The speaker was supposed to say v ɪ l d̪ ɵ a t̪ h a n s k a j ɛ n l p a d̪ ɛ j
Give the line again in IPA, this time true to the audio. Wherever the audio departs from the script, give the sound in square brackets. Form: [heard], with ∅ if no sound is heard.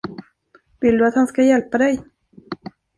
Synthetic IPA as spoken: v ɪ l d̪ ɵ a t̪ h a n s k a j ɛ [∅] l p a d̪ ɛ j